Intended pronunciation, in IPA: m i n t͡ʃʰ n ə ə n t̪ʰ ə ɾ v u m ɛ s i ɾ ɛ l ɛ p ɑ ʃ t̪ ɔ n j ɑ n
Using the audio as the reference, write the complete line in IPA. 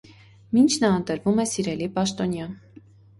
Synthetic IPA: m i n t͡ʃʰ n ɑ ə n t̪ ə ɾ v u m ɛ s i ɾ ɛ l i p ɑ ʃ t̪ ɔ n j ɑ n